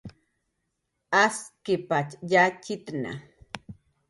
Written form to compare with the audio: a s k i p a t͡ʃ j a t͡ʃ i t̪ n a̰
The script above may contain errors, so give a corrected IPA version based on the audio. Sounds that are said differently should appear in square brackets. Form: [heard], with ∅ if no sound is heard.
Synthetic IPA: a s k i p a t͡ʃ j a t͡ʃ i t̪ n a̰